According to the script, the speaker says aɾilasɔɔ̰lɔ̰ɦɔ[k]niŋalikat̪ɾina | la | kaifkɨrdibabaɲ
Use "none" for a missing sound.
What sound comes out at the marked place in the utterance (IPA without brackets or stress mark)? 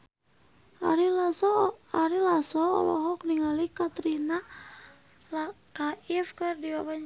k